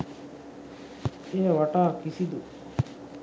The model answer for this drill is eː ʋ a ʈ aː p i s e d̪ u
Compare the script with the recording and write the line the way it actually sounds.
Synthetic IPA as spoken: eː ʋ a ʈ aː k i s i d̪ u